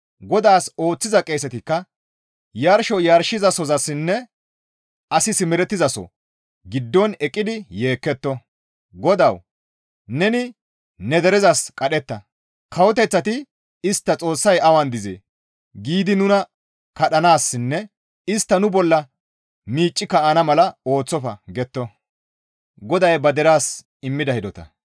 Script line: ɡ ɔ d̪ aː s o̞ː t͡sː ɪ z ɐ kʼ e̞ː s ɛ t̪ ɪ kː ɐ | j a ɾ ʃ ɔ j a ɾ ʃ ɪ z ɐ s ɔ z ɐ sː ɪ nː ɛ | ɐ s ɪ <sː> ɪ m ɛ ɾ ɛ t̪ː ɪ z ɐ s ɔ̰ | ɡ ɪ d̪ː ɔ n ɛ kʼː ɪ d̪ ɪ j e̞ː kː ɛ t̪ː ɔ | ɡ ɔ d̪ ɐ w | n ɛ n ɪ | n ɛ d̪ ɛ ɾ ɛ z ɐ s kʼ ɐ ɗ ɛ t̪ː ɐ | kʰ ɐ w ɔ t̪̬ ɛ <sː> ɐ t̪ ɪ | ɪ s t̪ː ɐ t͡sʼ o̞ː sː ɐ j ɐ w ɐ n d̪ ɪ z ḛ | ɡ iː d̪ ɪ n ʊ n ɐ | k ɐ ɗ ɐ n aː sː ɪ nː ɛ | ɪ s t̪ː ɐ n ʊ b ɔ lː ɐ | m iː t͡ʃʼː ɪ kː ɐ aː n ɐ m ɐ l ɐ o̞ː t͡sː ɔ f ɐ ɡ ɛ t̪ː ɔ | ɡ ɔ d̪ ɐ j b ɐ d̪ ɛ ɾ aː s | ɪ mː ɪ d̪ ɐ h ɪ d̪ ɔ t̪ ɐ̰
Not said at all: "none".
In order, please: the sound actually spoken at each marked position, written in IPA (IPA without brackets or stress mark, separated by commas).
s, t͡sː